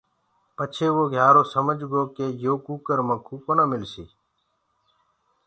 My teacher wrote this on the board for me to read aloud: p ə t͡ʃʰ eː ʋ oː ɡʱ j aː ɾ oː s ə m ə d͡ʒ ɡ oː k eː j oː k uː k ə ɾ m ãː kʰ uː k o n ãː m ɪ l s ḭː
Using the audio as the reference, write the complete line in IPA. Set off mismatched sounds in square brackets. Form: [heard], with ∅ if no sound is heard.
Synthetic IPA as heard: p ə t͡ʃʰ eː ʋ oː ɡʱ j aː ɾ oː s ə m ə d͡ʒ ɡ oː k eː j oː k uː k ə ɾ m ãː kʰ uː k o n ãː m ɪ l s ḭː